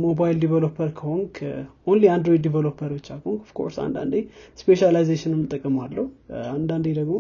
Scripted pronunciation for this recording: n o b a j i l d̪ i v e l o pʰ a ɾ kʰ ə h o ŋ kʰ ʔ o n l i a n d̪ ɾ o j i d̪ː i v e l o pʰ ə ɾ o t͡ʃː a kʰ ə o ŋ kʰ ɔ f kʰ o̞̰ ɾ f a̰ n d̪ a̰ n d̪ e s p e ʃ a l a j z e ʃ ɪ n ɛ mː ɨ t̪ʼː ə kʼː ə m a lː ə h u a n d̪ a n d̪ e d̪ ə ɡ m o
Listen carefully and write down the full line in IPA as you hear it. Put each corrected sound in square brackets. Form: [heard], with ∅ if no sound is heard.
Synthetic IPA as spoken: [m] o b a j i l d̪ i v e l o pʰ [ə] ɾ kʰ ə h o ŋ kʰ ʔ o n l i a n d̪ ɾ o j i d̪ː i v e l o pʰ ə ɾ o t͡ʃː a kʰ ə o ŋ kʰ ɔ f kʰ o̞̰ ɾ [s] a̰ n d̪ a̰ n d̪ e s p e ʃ a l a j z e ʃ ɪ n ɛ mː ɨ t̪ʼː ə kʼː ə m a lː ə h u a n d̪ a n d̪ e d̪ ə ɡ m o